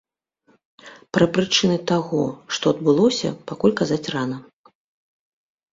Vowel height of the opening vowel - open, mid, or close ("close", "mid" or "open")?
open